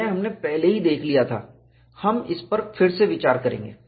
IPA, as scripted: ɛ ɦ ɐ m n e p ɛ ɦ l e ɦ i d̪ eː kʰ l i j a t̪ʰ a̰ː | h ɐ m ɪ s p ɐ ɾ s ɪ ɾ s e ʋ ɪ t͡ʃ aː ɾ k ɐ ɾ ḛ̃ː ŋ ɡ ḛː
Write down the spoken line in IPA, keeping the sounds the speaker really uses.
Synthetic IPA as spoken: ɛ ɦ ɐ m n e p ɛ ɦ l e ɦ i d̪ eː kʰ l i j a t̪ʰ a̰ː | h ɐ m ɪ s p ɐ ɾ f ɪ ɾ s e ʋ ɪ t͡ʃ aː ɾ k ɐ ɾ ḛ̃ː ŋ ɡ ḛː